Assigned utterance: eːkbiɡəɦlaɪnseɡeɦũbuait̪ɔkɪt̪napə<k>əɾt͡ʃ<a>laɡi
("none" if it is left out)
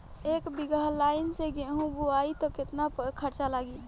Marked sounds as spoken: kʰ, a

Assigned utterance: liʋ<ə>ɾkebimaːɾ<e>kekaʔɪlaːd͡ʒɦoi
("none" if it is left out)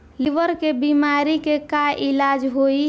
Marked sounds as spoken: ə, i

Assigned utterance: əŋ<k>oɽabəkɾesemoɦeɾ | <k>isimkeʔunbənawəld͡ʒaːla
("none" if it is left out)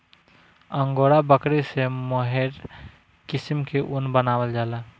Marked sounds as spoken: ɡ, k

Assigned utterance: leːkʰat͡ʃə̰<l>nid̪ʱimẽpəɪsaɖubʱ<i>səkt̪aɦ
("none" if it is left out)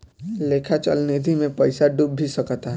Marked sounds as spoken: l, i

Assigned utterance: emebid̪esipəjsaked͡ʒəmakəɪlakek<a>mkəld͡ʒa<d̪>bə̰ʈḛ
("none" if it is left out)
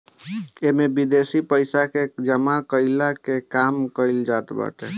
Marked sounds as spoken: a, t̪

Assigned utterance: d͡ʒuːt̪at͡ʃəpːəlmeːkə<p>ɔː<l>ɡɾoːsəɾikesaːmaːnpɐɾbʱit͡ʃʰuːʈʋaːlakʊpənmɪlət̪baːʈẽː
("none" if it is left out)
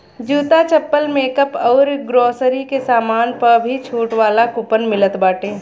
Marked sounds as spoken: p, ɾ

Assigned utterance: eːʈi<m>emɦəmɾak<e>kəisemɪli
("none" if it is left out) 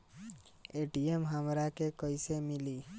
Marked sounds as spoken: none, e

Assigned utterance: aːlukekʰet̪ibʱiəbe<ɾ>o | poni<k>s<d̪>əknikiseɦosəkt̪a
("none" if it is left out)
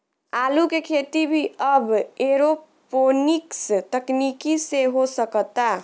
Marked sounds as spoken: ɾ, k, t̪

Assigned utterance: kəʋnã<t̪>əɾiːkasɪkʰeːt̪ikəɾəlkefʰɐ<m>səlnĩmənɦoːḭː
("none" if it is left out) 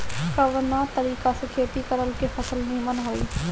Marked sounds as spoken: t̪, none

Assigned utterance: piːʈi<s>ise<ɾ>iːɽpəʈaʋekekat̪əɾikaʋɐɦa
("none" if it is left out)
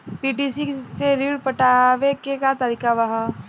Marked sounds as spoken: s, ɾ

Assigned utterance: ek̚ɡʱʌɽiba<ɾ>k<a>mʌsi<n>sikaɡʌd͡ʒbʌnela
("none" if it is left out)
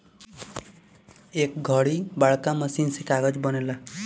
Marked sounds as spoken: ɭ, a, n

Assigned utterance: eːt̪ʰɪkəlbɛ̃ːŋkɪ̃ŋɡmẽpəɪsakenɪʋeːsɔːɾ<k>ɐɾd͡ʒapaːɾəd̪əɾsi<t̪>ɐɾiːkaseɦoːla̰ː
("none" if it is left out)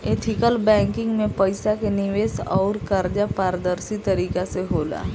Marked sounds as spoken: k, t̪

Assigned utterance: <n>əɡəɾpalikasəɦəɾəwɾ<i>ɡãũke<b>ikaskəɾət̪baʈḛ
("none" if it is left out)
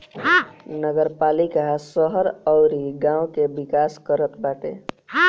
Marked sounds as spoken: n, i, b

